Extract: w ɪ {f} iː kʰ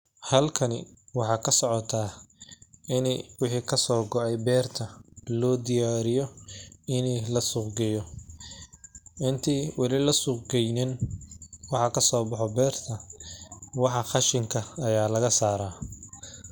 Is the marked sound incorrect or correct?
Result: incorrect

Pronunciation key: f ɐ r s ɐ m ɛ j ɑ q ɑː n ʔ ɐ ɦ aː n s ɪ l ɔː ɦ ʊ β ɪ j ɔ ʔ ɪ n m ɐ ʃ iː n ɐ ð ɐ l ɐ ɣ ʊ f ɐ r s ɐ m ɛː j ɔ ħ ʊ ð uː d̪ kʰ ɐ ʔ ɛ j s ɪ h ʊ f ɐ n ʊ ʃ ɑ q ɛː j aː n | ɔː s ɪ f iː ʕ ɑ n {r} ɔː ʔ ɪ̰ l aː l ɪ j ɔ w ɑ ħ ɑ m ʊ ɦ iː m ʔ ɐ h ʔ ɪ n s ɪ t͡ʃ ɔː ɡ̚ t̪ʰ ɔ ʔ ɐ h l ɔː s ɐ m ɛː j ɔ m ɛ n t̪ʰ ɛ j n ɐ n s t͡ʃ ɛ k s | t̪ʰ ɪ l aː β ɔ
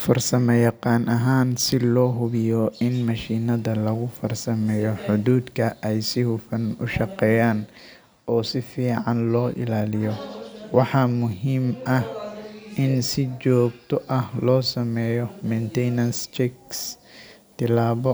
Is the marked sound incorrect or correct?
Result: incorrect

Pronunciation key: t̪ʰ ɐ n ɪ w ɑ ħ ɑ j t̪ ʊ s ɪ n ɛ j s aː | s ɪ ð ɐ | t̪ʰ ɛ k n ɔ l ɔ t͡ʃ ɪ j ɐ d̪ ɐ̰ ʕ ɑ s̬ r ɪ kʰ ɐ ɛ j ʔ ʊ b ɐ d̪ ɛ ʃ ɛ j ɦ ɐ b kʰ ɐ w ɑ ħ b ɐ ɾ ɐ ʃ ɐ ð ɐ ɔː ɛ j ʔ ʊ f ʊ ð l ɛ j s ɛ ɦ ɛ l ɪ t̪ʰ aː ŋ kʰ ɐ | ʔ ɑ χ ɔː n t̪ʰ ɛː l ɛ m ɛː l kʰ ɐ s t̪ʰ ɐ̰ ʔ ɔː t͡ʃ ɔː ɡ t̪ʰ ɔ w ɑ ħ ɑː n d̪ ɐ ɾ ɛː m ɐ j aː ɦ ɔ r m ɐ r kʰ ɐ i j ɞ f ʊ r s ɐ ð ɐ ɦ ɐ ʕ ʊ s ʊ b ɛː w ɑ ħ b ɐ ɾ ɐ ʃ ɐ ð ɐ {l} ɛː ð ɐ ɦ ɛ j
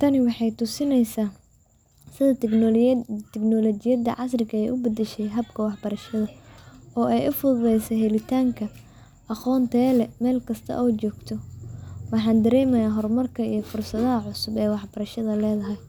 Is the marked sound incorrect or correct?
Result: correct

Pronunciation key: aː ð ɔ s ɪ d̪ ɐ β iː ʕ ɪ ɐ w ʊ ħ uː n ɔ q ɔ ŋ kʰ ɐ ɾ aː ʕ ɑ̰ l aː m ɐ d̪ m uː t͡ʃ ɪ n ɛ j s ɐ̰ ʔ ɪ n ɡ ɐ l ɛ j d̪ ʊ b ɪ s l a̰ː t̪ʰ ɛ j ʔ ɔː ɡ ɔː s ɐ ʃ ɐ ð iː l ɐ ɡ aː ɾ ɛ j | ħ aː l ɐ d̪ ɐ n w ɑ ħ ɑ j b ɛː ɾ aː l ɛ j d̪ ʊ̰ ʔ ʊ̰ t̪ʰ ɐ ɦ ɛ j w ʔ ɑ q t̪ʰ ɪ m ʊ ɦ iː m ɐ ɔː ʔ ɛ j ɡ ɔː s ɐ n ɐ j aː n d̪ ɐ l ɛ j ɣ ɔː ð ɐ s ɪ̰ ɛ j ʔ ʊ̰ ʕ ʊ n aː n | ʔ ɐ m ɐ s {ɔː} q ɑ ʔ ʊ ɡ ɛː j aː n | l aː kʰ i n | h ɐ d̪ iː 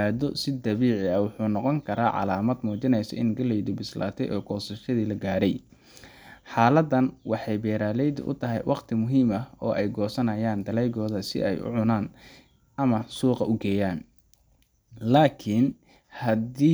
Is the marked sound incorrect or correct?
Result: incorrect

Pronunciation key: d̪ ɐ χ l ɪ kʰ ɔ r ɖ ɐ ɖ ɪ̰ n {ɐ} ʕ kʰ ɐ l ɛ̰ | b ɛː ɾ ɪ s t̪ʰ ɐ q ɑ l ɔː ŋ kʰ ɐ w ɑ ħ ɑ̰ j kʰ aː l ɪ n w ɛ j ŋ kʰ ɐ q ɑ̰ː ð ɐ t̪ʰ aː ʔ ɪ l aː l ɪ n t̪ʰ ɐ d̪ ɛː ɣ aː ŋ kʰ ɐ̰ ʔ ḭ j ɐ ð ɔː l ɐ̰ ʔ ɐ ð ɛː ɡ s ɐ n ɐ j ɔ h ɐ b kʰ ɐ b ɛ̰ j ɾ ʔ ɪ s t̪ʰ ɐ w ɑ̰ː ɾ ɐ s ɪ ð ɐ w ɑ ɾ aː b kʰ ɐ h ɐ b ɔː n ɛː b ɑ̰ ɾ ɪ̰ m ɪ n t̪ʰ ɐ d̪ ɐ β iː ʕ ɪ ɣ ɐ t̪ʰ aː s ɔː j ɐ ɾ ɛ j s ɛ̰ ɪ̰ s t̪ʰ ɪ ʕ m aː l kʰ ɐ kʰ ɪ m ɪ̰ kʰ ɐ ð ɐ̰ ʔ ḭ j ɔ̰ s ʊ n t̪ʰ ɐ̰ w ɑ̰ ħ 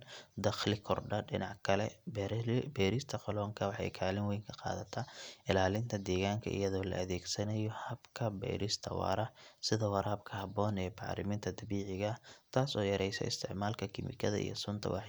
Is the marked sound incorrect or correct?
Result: incorrect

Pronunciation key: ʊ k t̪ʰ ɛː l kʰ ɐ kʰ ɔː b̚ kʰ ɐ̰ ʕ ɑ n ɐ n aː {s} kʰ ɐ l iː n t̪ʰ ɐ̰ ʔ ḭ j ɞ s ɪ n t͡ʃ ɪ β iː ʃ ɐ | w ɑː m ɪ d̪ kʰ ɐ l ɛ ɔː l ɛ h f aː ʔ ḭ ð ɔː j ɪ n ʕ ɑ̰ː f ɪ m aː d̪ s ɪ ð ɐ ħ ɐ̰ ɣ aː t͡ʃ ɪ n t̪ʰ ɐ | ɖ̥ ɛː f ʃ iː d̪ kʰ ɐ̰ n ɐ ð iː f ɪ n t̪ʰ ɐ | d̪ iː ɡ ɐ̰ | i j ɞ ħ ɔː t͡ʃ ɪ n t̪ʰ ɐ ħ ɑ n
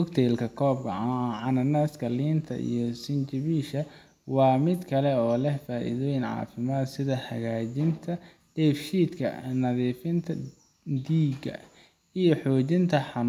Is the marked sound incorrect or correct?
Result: correct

